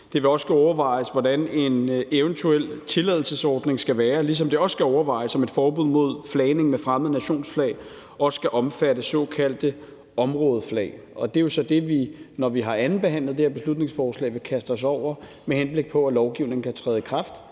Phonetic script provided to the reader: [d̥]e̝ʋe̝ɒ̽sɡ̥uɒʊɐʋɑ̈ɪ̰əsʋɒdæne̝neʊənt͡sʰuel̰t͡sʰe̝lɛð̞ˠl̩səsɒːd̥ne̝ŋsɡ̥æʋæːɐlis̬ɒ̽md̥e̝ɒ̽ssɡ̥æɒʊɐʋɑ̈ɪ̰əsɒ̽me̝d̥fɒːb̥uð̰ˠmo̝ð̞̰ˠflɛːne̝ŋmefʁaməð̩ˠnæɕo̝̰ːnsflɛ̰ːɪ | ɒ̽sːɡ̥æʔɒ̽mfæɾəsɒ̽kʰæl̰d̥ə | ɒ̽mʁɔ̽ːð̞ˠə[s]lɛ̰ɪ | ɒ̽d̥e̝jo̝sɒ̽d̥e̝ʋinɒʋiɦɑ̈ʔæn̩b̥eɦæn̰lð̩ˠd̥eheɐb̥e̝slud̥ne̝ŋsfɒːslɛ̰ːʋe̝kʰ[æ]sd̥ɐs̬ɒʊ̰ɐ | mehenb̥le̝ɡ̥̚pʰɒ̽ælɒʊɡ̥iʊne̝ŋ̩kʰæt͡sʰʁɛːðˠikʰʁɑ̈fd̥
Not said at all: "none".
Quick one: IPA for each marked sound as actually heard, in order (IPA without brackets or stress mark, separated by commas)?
d̥, f, æ